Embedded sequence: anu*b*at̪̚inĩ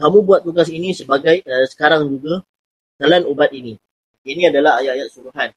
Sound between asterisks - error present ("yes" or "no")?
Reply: no